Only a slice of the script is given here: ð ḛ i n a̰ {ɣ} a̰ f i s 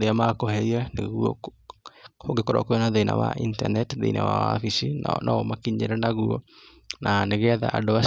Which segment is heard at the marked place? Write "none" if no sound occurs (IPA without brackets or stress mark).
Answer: w